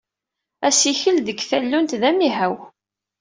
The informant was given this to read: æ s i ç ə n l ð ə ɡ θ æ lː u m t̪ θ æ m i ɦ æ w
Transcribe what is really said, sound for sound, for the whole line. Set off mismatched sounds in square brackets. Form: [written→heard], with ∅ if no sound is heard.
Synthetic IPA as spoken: æ s i ç ə [n→∅] l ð ə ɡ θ æ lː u [m→n] t̪ [θ→ð] æ m i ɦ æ w